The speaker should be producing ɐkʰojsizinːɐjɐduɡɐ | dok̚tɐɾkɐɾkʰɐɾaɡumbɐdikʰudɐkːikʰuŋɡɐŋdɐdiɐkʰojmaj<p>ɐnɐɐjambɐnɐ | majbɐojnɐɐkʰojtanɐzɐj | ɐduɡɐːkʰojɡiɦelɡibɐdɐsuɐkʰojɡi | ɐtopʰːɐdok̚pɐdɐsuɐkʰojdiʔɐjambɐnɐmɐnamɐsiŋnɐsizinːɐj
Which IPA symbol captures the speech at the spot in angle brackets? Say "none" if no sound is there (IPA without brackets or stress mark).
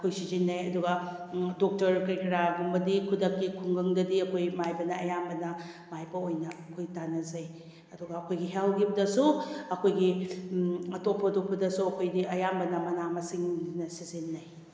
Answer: b